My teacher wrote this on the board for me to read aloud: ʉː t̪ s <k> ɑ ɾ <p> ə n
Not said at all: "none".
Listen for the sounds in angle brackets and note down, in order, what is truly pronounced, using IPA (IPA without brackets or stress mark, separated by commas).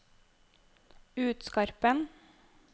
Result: k, p